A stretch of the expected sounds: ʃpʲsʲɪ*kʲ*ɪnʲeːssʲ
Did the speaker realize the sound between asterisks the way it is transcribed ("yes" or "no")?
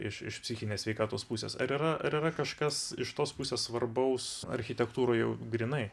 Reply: no